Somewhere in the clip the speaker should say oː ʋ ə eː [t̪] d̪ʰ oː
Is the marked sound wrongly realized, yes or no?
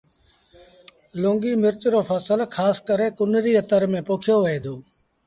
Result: yes